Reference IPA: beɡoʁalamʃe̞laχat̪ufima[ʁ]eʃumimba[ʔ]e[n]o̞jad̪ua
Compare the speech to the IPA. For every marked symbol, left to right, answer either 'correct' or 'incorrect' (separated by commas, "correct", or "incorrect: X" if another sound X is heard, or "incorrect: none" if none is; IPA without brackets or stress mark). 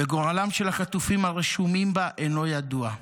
correct, correct, correct